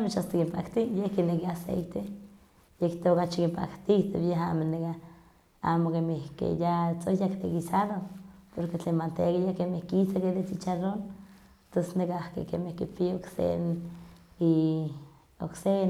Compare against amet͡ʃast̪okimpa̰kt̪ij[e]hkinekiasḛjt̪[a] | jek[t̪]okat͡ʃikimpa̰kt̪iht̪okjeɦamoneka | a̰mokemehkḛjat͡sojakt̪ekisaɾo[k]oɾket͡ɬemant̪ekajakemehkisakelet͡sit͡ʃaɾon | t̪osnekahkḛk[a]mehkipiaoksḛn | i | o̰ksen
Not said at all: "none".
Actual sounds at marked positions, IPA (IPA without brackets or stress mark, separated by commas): e, e, t̪, p, e